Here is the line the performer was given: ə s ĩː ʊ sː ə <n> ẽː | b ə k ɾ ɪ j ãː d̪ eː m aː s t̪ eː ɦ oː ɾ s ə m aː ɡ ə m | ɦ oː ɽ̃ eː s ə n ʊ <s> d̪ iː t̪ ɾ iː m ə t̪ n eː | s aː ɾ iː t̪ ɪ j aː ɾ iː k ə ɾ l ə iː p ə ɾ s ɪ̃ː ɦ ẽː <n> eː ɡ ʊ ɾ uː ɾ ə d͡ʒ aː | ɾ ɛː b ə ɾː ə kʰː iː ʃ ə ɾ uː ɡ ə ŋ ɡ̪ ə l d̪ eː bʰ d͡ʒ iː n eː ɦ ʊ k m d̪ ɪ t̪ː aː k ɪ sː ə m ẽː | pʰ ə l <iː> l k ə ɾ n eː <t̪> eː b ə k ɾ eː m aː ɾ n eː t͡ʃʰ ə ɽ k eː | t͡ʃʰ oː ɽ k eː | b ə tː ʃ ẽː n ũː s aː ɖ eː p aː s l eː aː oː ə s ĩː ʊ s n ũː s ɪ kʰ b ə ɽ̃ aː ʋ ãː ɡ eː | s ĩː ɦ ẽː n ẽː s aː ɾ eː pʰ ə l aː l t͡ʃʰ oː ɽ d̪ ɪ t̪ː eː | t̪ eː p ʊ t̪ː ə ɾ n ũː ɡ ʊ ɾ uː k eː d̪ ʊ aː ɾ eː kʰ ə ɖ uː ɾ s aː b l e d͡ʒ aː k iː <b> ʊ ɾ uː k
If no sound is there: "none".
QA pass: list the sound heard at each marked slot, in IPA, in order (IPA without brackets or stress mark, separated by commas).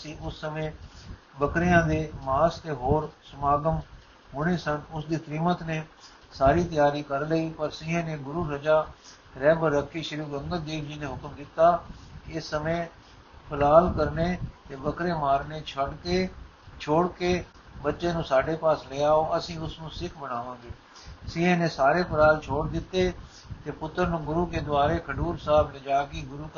m, s, n, aː, t̪, ɡ